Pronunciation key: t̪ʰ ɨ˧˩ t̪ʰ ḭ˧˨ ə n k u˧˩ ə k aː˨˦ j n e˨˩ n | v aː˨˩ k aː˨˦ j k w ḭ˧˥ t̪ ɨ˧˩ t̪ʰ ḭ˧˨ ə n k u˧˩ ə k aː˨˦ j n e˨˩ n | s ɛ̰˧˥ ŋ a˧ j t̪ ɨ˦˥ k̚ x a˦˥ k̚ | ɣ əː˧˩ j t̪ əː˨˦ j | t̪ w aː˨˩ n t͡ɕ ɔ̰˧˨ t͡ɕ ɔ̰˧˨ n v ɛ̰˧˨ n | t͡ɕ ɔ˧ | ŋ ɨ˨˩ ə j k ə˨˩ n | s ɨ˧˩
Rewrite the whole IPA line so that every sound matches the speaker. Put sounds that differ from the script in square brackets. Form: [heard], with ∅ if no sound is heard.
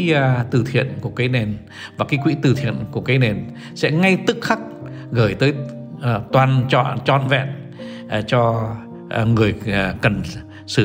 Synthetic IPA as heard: [t̪] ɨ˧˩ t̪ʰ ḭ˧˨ ə n k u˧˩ ə k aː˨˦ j n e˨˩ n | v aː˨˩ k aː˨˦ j k w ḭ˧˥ t̪ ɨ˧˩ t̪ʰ ḭ˧˨ ə n k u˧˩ ə k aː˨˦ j n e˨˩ n | s ɛ̰˧˥ ŋ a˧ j t̪ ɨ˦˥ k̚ x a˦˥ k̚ | ɣ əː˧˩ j t̪ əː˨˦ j | t̪ w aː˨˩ n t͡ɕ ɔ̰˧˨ t͡ɕ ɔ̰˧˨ n v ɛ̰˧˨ n | t͡ɕ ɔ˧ | ŋ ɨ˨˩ ə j k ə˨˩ n | s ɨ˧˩